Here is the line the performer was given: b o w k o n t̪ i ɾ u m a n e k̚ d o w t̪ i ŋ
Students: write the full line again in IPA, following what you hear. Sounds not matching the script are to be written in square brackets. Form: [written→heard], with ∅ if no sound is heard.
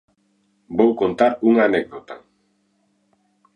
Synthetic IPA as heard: b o w k o n t̪ [i→a] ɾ u [m→ŋ] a n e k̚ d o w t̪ [i→a] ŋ